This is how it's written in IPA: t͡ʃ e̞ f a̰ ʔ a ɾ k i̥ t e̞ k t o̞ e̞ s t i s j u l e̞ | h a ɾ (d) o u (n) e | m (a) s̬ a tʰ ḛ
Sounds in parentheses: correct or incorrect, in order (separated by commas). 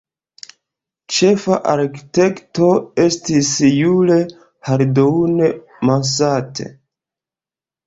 correct, correct, correct